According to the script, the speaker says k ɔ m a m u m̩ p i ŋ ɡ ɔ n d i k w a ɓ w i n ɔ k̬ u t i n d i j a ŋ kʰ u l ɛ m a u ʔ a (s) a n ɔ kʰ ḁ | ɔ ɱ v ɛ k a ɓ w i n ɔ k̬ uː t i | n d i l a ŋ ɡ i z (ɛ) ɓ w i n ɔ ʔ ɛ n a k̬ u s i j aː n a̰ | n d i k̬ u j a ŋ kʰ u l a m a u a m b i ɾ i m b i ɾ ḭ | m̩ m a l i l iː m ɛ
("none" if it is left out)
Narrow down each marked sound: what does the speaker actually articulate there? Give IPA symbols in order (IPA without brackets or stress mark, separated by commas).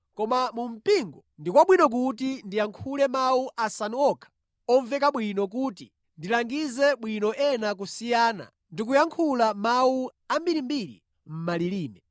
s, ɛ